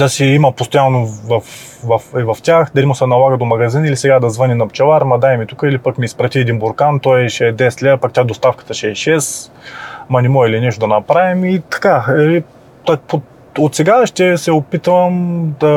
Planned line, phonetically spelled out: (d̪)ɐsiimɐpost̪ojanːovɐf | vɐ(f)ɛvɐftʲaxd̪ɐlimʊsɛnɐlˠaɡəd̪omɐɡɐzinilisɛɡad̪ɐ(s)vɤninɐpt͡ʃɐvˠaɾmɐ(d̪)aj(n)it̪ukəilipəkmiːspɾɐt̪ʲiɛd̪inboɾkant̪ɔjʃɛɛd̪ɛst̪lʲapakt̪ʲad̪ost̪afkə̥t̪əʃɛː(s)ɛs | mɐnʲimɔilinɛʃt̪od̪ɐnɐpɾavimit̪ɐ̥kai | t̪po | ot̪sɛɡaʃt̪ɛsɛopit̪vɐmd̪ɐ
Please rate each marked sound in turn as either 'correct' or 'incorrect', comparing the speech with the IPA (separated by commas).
correct, correct, incorrect, correct, incorrect, incorrect